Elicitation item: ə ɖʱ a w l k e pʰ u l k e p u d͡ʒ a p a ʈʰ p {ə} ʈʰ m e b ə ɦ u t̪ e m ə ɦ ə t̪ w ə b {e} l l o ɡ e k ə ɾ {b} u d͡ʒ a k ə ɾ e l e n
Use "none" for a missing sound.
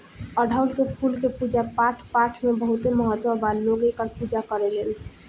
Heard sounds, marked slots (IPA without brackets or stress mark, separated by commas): a, a, p